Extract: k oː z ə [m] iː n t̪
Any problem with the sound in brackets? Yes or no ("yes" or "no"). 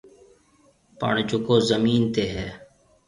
no